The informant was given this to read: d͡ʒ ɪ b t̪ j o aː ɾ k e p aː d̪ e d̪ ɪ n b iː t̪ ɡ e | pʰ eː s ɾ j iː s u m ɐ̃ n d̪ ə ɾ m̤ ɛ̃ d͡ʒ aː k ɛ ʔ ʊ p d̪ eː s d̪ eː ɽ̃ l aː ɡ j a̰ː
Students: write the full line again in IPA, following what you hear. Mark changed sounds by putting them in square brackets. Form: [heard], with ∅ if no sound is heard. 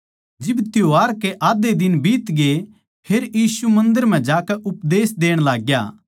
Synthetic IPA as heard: d͡ʒ ɪ b t̪ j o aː ɾ k e [ʔ] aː d̪ e d̪ ɪ n b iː t̪ ɡ e | pʰ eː [∅] ɾ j iː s u m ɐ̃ n d̪ ə ɾ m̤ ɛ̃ d͡ʒ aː k ɛ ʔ ʊ p d̪ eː s d̪ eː ɽ̃ l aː ɡ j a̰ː